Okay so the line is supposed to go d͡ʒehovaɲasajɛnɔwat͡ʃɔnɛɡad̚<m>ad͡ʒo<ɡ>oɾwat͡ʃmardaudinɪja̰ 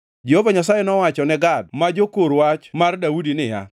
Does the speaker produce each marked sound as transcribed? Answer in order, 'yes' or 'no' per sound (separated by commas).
yes, no